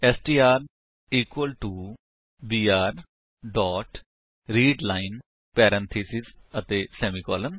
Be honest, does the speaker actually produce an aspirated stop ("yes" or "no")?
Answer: yes